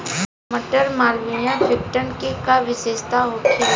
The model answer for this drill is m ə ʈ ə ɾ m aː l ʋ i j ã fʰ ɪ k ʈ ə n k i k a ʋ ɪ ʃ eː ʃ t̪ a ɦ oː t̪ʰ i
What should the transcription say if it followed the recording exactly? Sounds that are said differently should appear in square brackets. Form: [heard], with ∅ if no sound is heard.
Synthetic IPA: m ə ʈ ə ɾ m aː l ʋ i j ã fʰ ɪ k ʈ ə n k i k a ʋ ɪ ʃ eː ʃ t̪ a ɦ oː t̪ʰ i